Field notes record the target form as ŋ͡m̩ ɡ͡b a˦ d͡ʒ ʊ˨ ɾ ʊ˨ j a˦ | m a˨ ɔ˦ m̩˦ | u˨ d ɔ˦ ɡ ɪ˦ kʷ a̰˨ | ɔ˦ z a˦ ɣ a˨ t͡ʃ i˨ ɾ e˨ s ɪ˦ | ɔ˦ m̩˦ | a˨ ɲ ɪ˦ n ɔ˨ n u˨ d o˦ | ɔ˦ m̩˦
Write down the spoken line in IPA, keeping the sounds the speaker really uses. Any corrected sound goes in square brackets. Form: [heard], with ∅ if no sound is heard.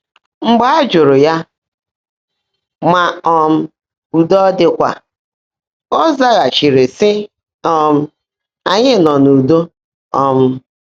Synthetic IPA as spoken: ŋ͡m̩ ɡ͡b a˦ d͡ʒ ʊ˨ ɾ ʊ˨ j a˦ | m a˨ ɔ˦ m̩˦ | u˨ d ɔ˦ [d] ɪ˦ kʷ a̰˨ | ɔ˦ z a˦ ɣ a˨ t͡ʃ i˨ ɾ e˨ s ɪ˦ | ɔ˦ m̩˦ | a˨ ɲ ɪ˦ n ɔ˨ n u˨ d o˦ | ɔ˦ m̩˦